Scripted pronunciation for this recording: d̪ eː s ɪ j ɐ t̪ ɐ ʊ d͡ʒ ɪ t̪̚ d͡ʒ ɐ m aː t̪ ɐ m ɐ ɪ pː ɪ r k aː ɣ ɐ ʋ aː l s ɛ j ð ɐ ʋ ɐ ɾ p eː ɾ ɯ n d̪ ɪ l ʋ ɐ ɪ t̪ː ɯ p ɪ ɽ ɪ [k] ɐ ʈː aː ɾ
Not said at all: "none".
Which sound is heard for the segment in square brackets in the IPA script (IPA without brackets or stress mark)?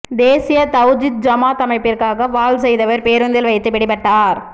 p